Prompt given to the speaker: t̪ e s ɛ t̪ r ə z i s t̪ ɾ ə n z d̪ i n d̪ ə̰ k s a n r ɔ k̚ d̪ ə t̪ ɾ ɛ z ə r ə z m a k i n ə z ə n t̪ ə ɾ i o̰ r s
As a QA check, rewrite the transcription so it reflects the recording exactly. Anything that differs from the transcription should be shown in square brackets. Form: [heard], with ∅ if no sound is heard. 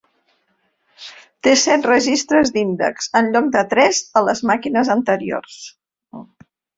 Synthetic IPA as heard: t̪ e s ɛ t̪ r ə [ʒ] i s t̪ ɾ ə [∅] z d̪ i n d̪ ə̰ k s [ə] n [ʎ] ɔ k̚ d̪ ə t̪ ɾ ɛ z ə [l] ə z m a k i n ə z ə n t̪ ə ɾ i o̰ r s